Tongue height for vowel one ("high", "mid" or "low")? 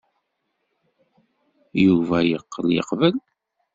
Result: high